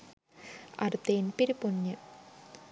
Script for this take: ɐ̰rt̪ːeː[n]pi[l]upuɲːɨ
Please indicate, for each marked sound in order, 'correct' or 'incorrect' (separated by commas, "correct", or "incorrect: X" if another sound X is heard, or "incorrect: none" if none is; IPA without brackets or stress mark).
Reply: correct, incorrect: ɾ